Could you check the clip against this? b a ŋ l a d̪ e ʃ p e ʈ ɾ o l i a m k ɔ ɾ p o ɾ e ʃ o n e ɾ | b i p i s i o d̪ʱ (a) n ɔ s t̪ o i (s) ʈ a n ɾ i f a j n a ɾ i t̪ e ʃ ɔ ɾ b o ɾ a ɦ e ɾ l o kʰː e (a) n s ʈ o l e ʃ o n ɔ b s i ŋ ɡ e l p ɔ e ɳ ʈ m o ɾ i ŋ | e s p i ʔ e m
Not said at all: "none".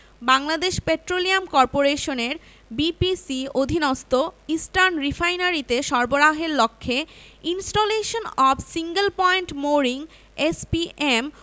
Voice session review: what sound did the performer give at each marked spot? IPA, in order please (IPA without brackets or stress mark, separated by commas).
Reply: i, s, i